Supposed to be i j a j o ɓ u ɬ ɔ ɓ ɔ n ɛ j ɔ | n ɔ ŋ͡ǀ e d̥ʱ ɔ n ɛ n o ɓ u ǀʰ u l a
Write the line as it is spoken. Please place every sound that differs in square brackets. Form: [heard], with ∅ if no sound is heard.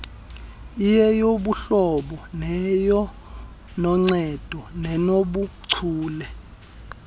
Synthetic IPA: i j [ɛ] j o ɓ u ɬ ɔ ɓ ɔ n ɛ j ɔ | n ɔ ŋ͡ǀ [ɛ] d̥ʱ ɔ n ɛ n o ɓ u ǀʰ [uː] l [ɛ]